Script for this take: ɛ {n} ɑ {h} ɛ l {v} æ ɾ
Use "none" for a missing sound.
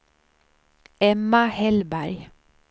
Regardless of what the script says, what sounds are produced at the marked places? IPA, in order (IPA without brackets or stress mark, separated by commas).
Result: m, h, b